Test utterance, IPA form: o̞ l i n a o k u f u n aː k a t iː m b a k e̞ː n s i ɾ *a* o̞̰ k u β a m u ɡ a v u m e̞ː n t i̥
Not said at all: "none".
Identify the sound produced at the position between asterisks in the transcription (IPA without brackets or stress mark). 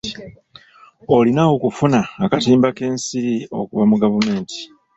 i